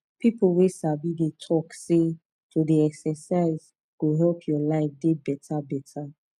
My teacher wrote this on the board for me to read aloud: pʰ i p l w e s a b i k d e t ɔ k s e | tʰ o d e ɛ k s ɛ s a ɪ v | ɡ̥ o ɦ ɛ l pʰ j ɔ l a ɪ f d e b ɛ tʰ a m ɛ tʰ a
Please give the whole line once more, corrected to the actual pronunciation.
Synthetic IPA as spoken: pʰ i p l w e s a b i d e tʰ ɔ k s e | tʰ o d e ɛ k s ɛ s a ɪ z | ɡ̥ o ɦ ɛ l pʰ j ɔ l a ɪ f d e b ɛ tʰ a b ɛ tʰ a